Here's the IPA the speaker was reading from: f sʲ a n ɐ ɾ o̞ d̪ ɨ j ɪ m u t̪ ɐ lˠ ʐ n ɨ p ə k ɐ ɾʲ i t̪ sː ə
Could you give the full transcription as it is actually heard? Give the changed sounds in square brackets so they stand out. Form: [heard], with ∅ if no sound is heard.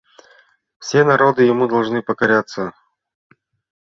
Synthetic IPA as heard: f sʲ [e] n ɐ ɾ o̞ d̪ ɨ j ɪ m u [d̪] ɐ lˠ ʐ n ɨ p ə k ɐ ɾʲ [a] t̪ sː ə

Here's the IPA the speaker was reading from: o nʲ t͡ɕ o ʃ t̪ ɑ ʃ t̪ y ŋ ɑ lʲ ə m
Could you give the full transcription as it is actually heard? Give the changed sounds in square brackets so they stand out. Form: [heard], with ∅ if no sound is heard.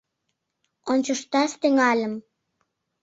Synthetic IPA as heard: o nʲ t͡ɕ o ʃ t̪ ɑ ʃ t̪ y ŋ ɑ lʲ ə m

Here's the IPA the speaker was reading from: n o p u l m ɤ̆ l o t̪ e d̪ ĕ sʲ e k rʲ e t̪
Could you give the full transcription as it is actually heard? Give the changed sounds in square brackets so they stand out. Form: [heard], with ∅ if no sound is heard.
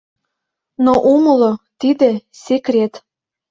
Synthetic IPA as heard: n o [ʔ] u [∅] m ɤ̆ l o t̪ [i] d̪ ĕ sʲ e k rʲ e t̪

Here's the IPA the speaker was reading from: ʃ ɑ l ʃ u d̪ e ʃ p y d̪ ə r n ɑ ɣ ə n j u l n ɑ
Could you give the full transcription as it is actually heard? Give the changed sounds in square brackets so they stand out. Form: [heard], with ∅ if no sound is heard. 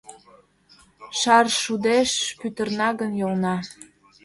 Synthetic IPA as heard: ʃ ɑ [r] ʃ u d̪ e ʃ p y [t̪] ə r n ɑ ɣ ə n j [o] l n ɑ

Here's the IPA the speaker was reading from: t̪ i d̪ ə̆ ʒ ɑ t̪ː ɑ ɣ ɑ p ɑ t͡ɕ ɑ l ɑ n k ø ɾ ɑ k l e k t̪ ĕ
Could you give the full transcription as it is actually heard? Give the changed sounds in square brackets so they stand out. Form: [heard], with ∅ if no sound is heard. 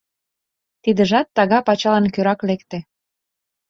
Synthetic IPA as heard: t̪ i d̪ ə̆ ʒ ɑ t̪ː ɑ ɣ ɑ p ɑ t͡ɕ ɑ l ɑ n k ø ɾ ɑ k l e k t̪ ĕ

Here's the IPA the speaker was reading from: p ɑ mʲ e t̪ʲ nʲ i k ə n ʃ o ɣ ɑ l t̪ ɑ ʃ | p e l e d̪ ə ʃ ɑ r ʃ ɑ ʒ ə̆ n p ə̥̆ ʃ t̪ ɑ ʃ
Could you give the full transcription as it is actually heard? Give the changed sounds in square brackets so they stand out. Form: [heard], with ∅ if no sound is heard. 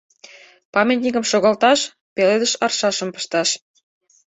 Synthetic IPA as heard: p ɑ mʲ e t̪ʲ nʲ i k ə [m] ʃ o ɣ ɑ l t̪ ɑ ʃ | p e l e d̪ ə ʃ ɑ r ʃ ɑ [ʃ] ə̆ [m] p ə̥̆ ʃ t̪ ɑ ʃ

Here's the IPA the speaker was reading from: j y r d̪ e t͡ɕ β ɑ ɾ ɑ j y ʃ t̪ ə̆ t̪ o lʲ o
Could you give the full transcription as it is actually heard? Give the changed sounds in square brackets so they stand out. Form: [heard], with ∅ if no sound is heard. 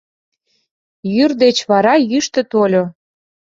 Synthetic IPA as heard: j y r d̪ e t͡ɕ β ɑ ɾ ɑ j y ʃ t̪ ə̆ t̪ o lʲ o

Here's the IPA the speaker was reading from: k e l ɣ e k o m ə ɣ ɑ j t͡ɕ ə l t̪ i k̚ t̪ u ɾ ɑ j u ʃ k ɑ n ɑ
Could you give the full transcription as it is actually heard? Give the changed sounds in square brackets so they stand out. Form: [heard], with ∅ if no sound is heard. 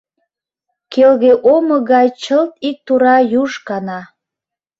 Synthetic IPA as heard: k e l ɣ e [ʔ] o m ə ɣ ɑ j t͡ɕ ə l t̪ i k̚ t̪ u ɾ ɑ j u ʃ k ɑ n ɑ

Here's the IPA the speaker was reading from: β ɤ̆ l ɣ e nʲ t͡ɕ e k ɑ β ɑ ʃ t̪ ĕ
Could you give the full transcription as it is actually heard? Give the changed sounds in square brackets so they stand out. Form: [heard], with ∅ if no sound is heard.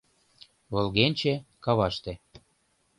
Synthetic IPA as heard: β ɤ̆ l ɣ e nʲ t͡ɕ e k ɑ β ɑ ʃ t̪ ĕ

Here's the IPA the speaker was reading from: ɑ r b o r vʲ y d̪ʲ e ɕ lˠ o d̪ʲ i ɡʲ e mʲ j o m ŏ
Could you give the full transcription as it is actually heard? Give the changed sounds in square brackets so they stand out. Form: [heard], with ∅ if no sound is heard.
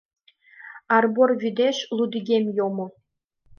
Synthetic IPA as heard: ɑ r b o r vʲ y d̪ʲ e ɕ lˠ [u] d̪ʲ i ɡʲ e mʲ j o m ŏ

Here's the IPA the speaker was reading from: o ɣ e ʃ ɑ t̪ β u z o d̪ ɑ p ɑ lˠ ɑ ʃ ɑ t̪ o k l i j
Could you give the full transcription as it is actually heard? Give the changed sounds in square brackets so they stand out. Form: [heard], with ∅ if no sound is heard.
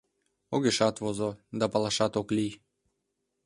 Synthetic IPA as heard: o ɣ e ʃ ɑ t̪ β [o] z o d̪ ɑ p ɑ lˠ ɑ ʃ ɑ t̪ o k l i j

